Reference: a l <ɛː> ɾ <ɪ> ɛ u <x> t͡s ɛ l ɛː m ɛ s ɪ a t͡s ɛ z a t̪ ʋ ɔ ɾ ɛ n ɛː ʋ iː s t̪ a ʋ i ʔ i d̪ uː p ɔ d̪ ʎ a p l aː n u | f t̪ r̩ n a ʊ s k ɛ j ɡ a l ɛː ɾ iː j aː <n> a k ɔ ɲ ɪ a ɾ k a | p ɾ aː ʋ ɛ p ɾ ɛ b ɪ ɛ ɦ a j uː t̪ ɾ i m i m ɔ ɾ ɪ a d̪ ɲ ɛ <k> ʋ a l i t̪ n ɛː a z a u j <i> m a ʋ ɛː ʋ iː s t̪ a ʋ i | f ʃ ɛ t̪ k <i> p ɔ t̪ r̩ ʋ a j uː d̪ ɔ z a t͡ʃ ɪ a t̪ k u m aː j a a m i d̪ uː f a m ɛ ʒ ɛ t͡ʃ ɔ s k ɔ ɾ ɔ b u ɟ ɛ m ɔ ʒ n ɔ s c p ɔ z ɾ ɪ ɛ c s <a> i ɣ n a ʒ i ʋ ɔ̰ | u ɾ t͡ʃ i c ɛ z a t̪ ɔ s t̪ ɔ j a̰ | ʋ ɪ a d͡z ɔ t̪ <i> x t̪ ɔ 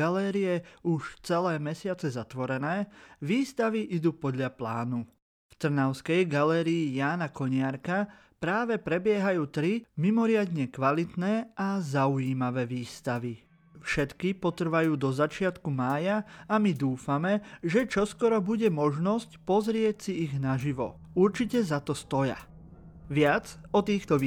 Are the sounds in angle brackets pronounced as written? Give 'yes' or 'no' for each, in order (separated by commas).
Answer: yes, no, no, yes, yes, no, yes, no, no